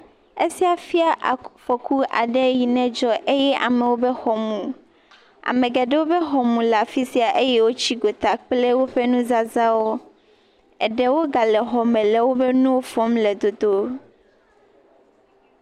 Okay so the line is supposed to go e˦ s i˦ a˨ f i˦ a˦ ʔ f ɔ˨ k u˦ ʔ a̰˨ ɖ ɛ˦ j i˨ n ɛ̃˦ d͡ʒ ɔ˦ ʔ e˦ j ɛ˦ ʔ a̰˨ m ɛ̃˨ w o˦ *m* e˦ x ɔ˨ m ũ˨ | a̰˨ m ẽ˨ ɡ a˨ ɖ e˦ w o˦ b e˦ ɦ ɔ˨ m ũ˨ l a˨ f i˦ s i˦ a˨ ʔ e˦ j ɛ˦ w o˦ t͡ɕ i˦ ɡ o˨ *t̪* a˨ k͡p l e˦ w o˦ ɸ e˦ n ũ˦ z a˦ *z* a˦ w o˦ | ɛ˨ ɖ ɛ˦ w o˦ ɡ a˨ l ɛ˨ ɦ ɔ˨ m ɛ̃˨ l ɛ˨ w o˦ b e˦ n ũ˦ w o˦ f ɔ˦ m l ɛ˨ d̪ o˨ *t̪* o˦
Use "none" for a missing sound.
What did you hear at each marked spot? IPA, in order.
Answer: b, t̪, z, d̪

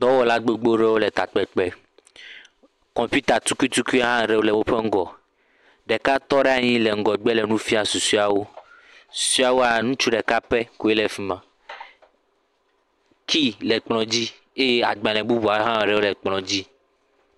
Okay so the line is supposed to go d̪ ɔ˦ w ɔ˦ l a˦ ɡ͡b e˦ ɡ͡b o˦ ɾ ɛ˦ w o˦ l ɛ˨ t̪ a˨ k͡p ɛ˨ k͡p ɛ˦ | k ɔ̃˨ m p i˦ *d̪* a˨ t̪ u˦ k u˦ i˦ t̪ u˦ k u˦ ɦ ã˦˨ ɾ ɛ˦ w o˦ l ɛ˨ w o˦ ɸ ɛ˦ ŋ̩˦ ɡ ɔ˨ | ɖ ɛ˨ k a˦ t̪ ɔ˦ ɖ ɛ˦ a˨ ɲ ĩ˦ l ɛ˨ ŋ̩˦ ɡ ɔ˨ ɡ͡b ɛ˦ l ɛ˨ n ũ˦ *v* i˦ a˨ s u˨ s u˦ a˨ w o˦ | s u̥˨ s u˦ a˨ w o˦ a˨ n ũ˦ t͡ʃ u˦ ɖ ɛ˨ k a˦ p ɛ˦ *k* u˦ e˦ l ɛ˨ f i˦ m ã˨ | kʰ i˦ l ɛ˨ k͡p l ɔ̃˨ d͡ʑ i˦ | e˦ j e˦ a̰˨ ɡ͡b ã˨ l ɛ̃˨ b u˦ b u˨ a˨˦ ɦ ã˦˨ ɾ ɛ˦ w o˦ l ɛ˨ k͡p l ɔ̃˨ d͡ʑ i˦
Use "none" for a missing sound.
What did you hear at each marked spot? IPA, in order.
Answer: t̪, f, k

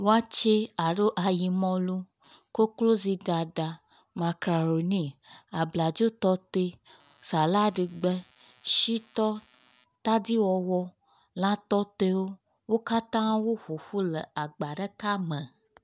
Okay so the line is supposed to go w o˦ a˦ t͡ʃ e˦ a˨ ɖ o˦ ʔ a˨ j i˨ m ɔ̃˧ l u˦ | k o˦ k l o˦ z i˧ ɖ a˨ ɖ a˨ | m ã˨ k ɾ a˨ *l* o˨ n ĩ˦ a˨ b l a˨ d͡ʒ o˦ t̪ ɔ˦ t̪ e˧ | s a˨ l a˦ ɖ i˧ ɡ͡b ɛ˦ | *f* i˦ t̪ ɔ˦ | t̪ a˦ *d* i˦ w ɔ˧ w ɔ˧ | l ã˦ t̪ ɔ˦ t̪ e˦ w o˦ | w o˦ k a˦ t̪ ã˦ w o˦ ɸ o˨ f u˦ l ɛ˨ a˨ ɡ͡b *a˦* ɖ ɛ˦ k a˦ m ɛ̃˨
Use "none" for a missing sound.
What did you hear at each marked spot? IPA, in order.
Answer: ɾ, ʃ, d, a˨

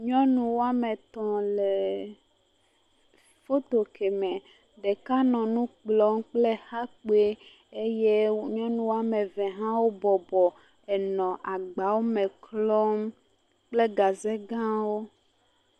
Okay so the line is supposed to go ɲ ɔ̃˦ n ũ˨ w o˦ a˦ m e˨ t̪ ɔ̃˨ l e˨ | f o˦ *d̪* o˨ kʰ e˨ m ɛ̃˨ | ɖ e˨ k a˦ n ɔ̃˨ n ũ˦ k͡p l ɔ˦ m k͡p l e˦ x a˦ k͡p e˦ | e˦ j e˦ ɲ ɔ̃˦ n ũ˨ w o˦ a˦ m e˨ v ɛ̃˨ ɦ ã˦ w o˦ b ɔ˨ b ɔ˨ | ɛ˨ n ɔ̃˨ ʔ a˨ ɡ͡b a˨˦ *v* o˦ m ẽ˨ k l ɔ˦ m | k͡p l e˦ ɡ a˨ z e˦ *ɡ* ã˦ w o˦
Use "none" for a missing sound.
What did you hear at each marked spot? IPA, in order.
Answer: t̪, w, ɡ

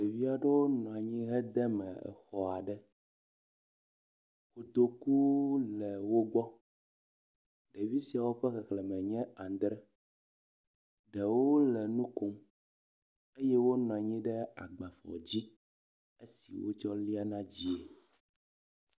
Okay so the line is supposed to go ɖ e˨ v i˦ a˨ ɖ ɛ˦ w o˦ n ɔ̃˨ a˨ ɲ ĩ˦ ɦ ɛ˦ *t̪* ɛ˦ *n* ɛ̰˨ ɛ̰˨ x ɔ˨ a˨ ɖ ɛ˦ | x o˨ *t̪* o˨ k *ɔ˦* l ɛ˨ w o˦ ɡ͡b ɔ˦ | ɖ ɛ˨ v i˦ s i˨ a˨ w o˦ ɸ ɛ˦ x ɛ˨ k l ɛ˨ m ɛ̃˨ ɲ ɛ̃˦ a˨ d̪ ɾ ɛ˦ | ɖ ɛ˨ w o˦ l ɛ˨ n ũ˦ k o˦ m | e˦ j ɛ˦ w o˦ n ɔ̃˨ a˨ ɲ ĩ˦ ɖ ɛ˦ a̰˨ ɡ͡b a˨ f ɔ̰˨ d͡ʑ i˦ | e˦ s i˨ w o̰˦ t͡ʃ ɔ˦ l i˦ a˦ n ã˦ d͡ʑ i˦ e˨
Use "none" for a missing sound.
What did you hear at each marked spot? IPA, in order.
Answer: d̪, m, t̪, u˦

